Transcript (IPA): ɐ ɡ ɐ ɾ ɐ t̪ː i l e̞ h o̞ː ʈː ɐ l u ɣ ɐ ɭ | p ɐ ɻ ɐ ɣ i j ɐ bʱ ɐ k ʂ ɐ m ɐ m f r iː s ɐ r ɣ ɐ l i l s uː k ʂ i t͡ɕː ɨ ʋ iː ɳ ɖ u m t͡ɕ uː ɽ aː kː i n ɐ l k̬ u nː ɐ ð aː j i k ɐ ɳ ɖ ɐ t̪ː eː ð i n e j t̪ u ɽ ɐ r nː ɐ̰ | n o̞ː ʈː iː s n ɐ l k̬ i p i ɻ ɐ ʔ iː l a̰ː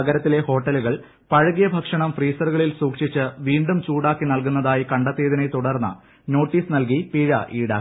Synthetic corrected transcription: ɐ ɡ ɐ ɾ ɐ t̪ː i l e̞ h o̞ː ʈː ɐ l u ɣ ɐ ɭ | p ɐ ɻ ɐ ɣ i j ɐ bʱ ɐ k ʂ ɐ ɳ ɐ m f r iː s ɐ r ɣ ɐ ɭ i l s uː k ʂ i t͡ɕː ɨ ʋ iː ɳ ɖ u m t͡ɕ uː ɽ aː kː i n ɐ l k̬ u nː ɐ ð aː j i k ɐ ɳ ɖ ɐ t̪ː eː ð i n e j t̪ u ɽ ɐ r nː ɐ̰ | n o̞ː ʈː iː s n ɐ l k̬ i p i ɻ ɐ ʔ iː ɽ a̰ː